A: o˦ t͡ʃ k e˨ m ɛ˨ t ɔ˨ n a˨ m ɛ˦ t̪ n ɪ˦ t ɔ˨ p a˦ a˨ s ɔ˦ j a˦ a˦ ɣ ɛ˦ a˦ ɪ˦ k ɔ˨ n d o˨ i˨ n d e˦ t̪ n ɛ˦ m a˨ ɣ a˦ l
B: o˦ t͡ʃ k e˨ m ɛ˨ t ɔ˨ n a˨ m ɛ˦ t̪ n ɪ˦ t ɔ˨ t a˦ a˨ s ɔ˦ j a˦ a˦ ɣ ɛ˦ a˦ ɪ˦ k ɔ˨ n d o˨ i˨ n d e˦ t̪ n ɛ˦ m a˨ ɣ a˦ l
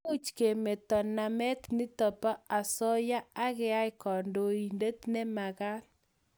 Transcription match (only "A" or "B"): A